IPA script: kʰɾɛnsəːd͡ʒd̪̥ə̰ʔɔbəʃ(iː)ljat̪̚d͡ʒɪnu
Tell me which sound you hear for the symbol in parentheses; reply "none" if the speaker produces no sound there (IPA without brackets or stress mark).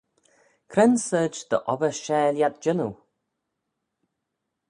ɛː